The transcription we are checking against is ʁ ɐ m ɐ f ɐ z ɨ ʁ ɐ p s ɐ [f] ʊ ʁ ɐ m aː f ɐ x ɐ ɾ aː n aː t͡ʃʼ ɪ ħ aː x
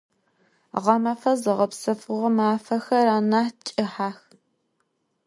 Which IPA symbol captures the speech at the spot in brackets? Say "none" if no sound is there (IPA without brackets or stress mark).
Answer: f